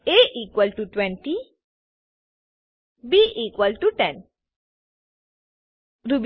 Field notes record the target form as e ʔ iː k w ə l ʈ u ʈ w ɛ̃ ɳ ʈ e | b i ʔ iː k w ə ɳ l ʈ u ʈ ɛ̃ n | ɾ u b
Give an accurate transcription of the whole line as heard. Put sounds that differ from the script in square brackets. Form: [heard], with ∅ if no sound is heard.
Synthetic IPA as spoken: e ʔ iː k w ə l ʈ u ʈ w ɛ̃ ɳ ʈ [i] | b i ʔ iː k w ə [∅] l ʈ u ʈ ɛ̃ n | ɾ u b